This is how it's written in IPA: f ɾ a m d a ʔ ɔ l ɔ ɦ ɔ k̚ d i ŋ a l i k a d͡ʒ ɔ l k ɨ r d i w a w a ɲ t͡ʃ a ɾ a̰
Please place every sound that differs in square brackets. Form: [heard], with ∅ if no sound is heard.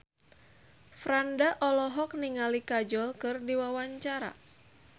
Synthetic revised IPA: f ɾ a [n] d a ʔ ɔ l ɔ ɦ ɔ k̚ [n] i ŋ a l i k a d͡ʒ ɔ l k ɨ r d i w a w a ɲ t͡ʃ a ɾ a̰